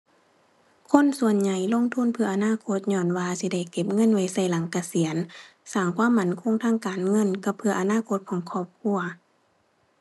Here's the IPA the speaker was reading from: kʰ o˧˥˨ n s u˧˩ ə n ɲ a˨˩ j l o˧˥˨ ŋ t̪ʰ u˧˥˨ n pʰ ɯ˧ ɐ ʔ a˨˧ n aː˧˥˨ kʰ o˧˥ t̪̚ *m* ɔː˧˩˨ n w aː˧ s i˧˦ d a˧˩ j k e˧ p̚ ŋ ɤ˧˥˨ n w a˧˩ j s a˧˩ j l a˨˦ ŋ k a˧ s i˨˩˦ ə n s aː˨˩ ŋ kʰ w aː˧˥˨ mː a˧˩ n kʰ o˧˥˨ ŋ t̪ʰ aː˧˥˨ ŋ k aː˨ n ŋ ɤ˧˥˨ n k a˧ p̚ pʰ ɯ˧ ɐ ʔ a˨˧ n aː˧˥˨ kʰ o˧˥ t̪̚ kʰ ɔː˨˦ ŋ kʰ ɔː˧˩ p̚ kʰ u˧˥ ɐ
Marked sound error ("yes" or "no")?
yes